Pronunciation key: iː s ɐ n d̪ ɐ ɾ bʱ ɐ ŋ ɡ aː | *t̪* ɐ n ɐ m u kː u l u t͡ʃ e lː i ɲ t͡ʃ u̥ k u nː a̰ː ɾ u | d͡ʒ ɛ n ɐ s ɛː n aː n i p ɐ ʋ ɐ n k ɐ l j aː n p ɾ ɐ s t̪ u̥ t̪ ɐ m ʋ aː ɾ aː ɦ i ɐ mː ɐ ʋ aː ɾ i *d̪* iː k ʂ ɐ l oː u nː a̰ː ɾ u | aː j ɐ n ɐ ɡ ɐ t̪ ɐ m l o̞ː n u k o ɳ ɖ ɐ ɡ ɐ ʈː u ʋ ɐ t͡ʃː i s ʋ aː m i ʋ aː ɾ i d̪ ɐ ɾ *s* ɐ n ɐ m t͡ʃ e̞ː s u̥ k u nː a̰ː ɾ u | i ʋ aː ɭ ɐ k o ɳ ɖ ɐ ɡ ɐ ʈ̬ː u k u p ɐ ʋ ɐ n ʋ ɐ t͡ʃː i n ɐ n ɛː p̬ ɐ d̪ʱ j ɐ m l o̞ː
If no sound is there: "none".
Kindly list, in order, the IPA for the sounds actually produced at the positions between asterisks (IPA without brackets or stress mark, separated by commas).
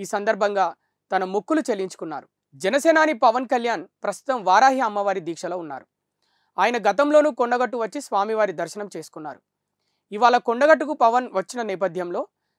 t̪, d̪, ʃ